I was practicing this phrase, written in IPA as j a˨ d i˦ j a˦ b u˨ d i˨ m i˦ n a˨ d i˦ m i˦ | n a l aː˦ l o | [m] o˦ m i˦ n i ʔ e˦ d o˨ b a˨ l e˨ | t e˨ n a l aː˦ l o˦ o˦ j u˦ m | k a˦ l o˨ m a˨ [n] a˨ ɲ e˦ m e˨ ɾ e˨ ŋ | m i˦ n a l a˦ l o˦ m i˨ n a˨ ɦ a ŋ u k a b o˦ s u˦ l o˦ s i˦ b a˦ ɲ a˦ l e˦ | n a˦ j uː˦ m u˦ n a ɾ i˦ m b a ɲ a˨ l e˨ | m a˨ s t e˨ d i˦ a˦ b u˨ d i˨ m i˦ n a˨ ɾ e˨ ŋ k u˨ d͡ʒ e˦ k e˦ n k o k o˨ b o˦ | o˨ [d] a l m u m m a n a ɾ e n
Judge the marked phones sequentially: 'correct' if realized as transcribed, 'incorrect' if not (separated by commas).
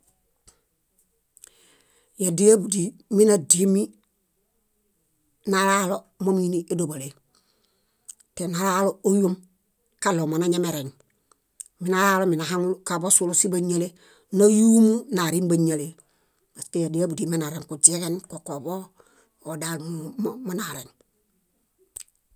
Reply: correct, correct, correct